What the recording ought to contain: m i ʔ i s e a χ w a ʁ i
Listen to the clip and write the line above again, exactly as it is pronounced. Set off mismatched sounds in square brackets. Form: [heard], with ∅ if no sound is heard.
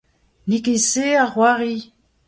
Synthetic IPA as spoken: [n] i [k] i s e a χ w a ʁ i